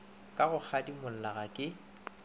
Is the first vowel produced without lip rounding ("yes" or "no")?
yes